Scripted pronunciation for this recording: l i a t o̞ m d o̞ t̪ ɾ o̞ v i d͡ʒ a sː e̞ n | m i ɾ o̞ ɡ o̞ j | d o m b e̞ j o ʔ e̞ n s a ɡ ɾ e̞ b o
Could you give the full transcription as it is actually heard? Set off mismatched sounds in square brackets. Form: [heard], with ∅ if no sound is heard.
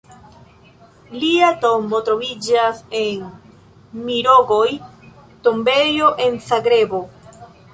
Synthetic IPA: l i a t o̞ m [b] o̞ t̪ ɾ o̞ v i d͡ʒ a [s] e̞ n | m i ɾ o̞ ɡ o̞ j | [t] o m b e̞ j o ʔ e̞ n s a ɡ ɾ e̞ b o